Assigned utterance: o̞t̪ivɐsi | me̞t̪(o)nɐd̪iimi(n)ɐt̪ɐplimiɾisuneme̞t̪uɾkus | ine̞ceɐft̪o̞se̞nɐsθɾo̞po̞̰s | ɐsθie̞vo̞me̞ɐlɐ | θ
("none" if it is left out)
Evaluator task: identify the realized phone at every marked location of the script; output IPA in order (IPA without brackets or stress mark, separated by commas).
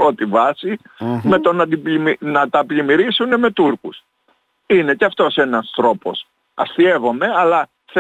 o, n